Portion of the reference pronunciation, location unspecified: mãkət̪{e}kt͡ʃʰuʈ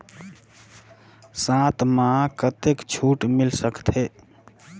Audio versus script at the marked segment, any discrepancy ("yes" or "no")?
no